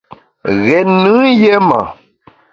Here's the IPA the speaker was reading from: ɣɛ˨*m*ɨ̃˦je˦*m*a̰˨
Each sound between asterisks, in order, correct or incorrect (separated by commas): incorrect, correct